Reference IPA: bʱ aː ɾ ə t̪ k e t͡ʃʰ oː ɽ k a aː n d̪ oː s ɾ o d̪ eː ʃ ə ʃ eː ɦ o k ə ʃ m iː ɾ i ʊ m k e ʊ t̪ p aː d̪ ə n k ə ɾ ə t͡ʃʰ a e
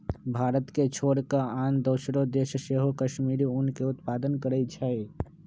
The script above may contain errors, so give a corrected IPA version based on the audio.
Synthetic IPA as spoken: bʱ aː ɾ ə t̪ k e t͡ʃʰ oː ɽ k a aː n d̪ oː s ɾ o d̪ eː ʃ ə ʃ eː ɦ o k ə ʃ m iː ɾ i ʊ n k e ʊ t̪ p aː d̪ ə n k ə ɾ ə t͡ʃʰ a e

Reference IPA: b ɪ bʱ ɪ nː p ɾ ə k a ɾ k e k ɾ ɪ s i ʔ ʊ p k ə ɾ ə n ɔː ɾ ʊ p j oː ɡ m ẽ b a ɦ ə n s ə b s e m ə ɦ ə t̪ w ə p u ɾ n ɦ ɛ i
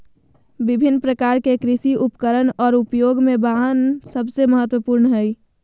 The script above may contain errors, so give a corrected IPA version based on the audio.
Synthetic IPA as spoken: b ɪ bʱ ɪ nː p ɾ ə k a ɾ k e k ɾ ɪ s i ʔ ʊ p k ə ɾ ə n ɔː ɾ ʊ p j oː ɡ m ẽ b a ɦ ə n s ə b s e m ə ɦ ə t̪ w ə p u ɾ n ɦ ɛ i

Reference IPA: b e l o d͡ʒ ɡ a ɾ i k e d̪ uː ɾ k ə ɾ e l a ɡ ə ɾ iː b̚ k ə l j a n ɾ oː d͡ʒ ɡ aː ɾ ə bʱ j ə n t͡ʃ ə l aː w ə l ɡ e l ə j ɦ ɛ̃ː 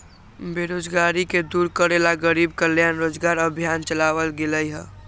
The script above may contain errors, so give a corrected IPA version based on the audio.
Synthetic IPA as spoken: b e ɾ o d͡ʒ ɡ a ɾ i k e d̪ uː ɾ k ə ɾ e l a ɡ ə ɾ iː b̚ k ə l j a n ɾ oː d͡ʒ ɡ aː ɾ ə bʱ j a n t͡ʃ ə l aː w ə l ɡ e l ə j ɦ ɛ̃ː

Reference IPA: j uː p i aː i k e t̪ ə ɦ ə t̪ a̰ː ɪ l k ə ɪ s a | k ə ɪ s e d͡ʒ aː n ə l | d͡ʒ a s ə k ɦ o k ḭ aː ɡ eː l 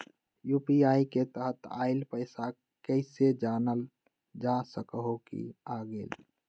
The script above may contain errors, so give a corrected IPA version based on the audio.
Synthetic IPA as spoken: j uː p i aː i k e t̪ ə ɦ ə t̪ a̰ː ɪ l p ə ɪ s a | k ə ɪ s e d͡ʒ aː n ə l | d͡ʒ a s ə k ɦ o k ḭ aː ɡ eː l

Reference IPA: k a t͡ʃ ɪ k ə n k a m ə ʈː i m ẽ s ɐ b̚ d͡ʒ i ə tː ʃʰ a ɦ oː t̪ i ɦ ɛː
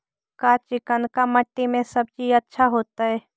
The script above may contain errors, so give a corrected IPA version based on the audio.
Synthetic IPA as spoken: k a t͡ʃ ɪ k ə n k a m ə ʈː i m ẽ s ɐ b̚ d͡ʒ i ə tː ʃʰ a ɦ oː t̪ a ɦ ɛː

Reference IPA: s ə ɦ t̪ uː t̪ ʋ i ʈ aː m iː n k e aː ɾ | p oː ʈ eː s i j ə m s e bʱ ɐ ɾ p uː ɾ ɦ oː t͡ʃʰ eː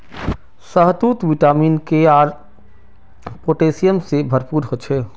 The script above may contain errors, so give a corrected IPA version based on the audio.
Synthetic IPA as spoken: s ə ɦ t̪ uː t̪ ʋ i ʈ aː m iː n k e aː ɾ | p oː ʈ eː s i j ə m s e bʱ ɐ ɾ p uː ɾ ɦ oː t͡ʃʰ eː

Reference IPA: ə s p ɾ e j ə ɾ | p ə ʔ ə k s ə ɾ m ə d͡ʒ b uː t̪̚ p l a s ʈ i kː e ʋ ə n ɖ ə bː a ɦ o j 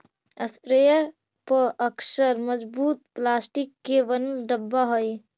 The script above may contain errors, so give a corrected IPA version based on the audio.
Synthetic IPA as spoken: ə s p ɾ e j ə ɾ | p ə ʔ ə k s ə ɾ m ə d͡ʒ b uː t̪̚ p l a s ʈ i kː e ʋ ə n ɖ ə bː a ɦ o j

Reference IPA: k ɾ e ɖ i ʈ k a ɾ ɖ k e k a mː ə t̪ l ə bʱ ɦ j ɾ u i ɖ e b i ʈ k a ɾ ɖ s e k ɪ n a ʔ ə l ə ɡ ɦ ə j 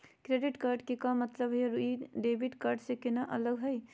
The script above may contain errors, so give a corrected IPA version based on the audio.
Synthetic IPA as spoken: k ɾ e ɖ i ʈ k a ɾ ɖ k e k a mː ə t̪ l ə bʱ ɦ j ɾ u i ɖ e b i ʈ k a ɾ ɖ s e k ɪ n a ʔ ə l ə ɡ ɦ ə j

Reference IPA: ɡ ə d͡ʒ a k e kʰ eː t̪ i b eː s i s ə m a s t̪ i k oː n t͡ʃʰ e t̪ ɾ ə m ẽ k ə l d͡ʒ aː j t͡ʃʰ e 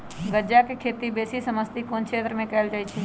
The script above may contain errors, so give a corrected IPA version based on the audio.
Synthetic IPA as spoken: ɡ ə d͡ʒ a k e kʰ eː t̪ i b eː s i s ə m ə s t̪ i k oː n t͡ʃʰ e t̪ ɾ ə m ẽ k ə l d͡ʒ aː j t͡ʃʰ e

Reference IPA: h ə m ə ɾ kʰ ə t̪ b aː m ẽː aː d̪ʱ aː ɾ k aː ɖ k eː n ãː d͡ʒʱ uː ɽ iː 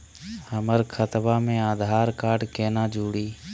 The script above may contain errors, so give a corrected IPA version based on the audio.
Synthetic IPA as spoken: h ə m ə ɾ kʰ ə t̪ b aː m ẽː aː d̪ʱ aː ɾ k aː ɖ k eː n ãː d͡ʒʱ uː ɽ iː

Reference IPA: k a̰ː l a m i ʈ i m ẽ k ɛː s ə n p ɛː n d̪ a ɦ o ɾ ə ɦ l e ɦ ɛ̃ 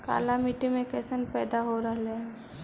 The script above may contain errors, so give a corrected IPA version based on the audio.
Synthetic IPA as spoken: k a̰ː l a m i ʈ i m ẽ k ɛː s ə n p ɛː d̪ a ɦ o ɾ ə ɦ l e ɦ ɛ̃

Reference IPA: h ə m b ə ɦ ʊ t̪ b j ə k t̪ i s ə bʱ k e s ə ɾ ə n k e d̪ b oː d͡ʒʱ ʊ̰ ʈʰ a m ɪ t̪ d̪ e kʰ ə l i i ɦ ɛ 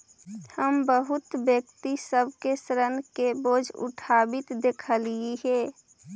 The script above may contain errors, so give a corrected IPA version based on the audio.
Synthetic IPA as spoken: h ə m b ə ɦ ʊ t̪ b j ə k t̪ i s ə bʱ k e s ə ɾ ə n k e b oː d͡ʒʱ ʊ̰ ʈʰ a b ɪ t̪ d̪ e kʰ ə l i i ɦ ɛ

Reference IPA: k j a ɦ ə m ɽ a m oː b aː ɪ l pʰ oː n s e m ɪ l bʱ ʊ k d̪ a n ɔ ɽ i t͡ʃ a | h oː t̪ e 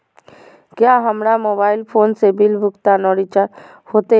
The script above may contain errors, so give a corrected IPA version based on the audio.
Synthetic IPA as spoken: k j a ɦ ə m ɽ a m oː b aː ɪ l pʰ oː n s e b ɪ l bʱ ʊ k t̪ a n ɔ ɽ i t͡ʃ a | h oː t̪ e

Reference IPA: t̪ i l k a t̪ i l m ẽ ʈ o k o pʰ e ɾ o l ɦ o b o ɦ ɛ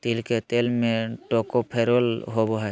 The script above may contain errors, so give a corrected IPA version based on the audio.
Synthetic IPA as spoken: t̪ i l k e t̪ e l m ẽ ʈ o k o pʰ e ɾ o l ɦ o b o ɦ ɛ

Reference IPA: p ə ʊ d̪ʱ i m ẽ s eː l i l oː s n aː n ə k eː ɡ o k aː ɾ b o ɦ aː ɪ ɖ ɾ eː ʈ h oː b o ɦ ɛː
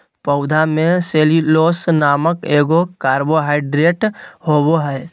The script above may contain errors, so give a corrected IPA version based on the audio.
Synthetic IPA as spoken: p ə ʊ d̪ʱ a m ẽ s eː l i l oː s n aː m ə k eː ɡ o k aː ɾ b o ɦ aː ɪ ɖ ɾ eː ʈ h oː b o ɦ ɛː

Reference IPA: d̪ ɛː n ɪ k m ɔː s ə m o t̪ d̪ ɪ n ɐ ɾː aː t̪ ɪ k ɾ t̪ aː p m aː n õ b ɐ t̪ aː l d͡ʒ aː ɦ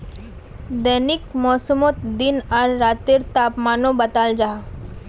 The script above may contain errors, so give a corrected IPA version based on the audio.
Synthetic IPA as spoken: d̪ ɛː n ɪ k m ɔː s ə m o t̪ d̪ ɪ n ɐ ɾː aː t̪ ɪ ɾ t̪ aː p m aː n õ b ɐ t̪ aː l d͡ʒ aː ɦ

